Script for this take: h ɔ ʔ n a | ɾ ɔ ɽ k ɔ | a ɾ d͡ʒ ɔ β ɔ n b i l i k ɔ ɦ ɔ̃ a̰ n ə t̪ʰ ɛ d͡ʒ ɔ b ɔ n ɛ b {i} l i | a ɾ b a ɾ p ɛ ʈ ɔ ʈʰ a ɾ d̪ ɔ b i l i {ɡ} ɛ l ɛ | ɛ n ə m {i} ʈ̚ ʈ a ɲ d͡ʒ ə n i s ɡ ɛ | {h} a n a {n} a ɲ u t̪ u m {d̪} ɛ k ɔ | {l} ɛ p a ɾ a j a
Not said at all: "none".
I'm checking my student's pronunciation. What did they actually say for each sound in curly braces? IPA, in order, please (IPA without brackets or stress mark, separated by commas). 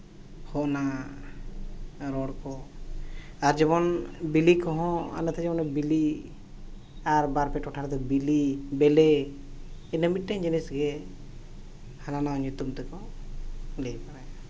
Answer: i, b, i, h, n, t̪, l